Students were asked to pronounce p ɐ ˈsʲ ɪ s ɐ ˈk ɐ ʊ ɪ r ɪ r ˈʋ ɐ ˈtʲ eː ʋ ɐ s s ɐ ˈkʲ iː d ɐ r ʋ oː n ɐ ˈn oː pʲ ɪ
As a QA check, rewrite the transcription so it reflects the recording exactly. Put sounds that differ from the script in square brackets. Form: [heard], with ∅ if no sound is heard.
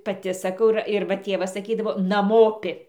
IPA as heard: p ɐ [ˈtʲ] ɪ s ɐ ˈk ɐ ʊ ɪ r ɪ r ˈʋ ɐ ˈtʲ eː ʋ ɐ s s ɐ ˈkʲ iː d ɐ [∅] ʋ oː n ɐ [ˈm] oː pʲ ɪ